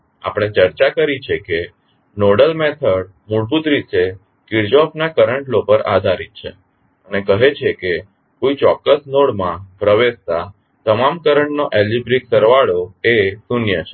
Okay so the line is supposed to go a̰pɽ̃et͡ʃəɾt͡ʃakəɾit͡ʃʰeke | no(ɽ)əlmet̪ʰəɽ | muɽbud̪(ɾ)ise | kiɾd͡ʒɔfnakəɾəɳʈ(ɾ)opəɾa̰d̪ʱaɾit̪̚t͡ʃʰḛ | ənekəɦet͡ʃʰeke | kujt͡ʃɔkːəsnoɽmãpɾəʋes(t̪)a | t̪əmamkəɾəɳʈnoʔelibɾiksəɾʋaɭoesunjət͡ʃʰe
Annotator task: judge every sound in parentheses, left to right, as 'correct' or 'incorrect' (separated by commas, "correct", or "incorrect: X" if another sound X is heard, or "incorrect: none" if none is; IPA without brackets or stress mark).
correct, correct, incorrect: l, correct